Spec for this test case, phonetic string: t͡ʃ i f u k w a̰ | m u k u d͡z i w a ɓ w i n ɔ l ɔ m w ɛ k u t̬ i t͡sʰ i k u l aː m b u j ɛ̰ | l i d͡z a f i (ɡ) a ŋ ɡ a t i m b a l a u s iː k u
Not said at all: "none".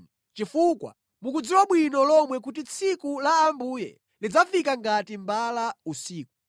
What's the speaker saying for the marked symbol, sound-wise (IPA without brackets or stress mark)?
k